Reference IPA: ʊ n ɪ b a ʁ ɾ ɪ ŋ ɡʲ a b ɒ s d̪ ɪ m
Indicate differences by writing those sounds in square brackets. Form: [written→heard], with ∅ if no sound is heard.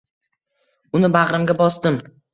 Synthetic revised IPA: ʊ n ɪ b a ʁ ɾ ɪ [ŋ→m] ɡʲ a b ɒ s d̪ ɪ m

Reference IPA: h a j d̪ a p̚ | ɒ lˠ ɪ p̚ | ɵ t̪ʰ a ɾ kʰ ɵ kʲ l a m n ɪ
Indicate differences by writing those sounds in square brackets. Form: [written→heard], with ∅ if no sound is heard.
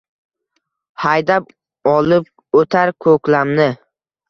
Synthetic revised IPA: h a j d̪ a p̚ | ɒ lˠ ɪ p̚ | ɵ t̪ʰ a ɾ kʰ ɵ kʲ l a m n ɪ

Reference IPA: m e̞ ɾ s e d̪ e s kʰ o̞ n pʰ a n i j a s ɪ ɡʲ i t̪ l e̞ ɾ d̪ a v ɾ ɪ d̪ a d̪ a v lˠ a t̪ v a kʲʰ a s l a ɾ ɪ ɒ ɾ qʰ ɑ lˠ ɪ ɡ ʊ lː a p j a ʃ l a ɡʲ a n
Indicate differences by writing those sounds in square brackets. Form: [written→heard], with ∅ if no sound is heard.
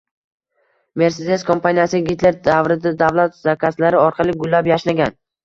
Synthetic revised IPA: m e̞ ɾ s e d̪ e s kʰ o̞ [n→m] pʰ a n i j a s ɪ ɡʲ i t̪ l e̞ ɾ d̪ a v ɾ ɪ d̪ a d̪ a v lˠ a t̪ [v→z] a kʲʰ a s l a ɾ ɪ ɒ ɾ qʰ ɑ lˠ ɪ ɡ ʊ lː a p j a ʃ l a ɡʲ a n

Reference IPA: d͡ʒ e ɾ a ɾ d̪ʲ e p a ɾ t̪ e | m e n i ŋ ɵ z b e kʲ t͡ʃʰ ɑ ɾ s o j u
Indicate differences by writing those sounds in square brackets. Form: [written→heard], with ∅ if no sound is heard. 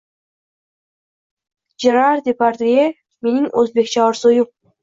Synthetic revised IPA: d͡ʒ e ɾ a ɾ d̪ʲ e p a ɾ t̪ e | m e n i ŋ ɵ z b e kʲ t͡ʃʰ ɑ ɾ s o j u

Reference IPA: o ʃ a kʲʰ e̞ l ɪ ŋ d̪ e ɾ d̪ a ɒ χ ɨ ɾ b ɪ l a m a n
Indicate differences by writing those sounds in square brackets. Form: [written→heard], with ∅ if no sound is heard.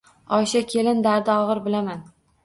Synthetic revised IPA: [o→ɒ] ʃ a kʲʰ e̞ l ɪ [ŋ→n] d̪ [e→a] ɾ d̪ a ɒ [χ→ʁ] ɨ ɾ b ɪ l a m a n

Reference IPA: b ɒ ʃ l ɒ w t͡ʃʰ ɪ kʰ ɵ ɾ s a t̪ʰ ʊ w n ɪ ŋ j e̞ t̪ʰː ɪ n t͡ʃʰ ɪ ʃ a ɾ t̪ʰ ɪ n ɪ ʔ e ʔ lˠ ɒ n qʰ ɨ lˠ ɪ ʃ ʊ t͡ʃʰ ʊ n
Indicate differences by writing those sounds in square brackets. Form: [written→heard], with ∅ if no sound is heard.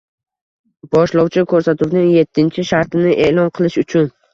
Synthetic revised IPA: b ɒ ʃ l ɒ w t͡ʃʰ ɪ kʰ ɵ ɾ s a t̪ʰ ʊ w n ɪ ŋ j e̞ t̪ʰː ɪ n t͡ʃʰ ɪ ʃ a ɾ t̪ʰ ɪ n ɪ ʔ e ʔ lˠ ɒ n qʰ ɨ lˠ ɪ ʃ ʊ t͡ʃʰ ʊ n

